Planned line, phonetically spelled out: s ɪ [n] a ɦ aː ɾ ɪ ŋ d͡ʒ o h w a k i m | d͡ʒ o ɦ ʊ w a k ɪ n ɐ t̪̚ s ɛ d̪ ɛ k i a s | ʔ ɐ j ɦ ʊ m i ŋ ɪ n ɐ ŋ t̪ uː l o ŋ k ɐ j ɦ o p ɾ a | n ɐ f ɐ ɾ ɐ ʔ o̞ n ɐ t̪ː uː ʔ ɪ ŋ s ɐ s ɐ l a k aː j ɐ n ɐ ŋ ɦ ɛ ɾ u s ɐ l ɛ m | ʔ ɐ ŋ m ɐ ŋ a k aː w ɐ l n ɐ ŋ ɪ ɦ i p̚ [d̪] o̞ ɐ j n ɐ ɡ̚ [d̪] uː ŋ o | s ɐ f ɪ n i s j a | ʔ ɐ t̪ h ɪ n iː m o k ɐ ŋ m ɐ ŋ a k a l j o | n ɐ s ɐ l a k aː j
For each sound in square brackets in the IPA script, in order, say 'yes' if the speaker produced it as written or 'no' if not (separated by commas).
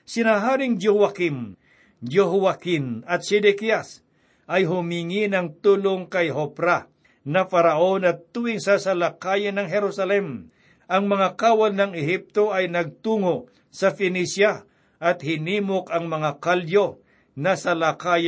yes, no, no